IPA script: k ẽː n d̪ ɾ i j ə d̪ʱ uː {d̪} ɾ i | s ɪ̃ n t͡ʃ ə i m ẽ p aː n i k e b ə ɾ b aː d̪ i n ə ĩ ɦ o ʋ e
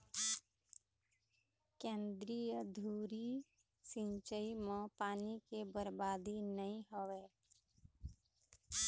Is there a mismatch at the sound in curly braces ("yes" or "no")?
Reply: yes